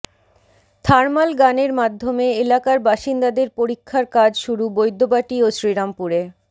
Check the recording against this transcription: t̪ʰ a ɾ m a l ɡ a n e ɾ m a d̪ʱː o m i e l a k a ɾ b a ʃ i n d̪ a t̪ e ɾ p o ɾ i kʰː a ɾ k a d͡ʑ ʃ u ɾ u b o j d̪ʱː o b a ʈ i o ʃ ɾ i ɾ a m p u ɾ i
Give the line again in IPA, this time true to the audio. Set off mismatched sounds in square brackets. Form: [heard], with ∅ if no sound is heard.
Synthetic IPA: t̪ʰ a ɾ m a l ɡ a n e ɾ m a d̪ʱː o m [e] e l a k a ɾ b a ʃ i n d̪ a [d̪] e ɾ p o ɾ i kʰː a ɾ k a d͡ʑ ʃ u ɾ u b o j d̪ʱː o b a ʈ i o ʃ ɾ i ɾ a m p u ɾ [e]